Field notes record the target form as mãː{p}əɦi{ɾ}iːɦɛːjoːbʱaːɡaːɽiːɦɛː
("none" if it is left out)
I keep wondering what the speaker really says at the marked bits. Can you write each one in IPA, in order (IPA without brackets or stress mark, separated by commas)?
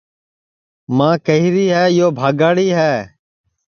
k, ɾ